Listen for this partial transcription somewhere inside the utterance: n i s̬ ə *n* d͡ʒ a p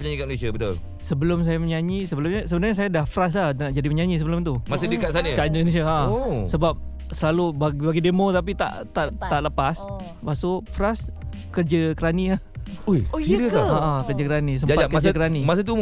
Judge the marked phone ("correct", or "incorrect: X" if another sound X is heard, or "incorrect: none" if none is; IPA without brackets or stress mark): incorrect: m